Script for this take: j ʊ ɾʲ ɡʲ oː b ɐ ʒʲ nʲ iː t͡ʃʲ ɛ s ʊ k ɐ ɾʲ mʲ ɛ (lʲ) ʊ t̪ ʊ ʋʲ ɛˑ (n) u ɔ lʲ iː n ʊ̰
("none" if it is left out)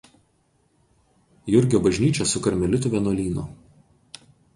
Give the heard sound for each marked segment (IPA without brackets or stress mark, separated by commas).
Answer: lʲ, n